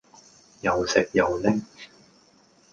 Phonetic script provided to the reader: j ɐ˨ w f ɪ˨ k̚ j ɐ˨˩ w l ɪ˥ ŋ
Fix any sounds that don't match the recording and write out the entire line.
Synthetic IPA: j ɐ˨ w s ɪ˨ k̚ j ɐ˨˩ w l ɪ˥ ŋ